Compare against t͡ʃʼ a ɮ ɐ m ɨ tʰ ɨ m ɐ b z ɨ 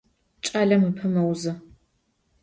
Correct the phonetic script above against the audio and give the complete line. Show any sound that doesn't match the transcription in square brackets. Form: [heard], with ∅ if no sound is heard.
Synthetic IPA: t͡ʃʼ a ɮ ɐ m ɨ [pʰ] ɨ m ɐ [w] z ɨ